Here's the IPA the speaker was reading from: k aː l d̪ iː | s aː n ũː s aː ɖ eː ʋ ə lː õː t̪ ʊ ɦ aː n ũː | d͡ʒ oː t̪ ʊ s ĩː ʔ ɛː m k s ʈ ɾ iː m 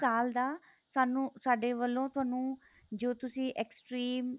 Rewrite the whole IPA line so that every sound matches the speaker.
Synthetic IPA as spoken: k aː l d̪ aː | s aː n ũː s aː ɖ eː ʋ ə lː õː t̪ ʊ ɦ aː n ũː | d͡ʒ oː t̪ ʊ s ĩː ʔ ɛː k s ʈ ɾ iː m